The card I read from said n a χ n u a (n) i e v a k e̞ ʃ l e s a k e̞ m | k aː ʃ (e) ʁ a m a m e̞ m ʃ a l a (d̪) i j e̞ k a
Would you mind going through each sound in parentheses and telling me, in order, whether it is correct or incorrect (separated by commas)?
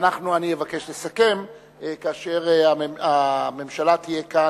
correct, correct, incorrect